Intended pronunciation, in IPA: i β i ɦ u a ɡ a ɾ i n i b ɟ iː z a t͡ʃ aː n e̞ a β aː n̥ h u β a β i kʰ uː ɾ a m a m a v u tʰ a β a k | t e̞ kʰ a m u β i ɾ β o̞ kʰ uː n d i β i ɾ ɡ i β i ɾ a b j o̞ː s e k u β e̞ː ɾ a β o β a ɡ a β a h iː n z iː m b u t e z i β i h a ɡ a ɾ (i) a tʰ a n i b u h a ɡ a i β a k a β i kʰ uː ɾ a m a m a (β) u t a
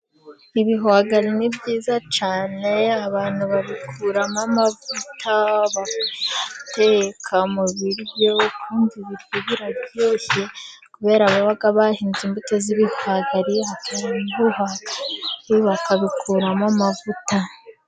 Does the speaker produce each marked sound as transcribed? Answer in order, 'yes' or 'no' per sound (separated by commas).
yes, no